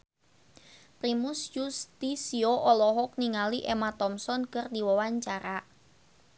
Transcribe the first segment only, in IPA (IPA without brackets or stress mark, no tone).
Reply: p